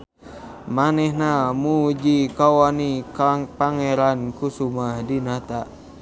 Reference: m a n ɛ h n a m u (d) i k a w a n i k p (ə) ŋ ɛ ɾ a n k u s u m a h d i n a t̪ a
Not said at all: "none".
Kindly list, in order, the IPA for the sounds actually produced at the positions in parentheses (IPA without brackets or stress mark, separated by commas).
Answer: d͡ʒ, a